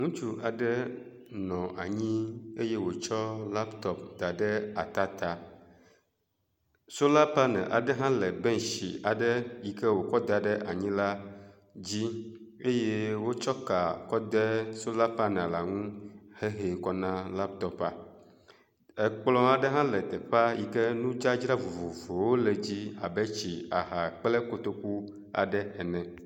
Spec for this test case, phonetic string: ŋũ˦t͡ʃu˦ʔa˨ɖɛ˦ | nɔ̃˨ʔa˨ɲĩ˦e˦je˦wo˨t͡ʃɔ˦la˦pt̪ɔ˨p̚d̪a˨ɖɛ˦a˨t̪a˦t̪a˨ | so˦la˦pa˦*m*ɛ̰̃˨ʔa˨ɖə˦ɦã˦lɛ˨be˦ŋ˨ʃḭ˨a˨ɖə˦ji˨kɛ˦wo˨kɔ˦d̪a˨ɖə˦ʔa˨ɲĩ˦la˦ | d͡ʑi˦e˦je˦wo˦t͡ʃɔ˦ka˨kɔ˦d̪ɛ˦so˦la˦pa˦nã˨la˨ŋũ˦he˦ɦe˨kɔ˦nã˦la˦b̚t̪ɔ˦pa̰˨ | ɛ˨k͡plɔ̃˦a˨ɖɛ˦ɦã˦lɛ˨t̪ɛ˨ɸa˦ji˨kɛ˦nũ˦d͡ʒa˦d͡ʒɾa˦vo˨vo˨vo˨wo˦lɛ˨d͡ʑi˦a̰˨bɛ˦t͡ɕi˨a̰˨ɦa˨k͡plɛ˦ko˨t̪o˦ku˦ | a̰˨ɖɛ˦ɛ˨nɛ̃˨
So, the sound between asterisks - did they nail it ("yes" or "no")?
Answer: no